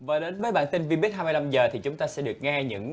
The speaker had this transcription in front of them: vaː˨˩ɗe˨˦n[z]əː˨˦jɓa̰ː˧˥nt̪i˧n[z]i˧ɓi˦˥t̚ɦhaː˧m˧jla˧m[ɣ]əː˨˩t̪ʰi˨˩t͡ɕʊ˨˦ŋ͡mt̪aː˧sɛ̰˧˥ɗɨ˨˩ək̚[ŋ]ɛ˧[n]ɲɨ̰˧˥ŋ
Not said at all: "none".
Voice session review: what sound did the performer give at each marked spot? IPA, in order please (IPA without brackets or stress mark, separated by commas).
v, v, z, ŋ, none